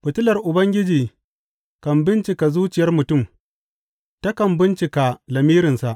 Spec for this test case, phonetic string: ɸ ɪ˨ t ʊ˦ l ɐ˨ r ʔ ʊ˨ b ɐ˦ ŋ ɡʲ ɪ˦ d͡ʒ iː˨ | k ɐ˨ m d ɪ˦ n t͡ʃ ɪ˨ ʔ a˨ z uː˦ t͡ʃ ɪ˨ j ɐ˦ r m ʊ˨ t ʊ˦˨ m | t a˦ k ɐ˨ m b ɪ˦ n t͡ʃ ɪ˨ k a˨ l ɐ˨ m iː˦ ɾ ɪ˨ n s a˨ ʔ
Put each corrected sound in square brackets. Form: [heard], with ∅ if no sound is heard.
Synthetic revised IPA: ɸ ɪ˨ t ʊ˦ l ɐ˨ r ʔ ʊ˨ b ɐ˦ ŋ ɡʲ ɪ˦ d͡ʒ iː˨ | k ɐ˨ m [b] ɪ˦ n t͡ʃ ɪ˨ [k] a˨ z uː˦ t͡ʃ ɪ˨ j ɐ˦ r m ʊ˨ t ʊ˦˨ m | t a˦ k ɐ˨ m b ɪ˦ n t͡ʃ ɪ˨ k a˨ l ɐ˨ m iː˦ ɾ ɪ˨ n s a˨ ʔ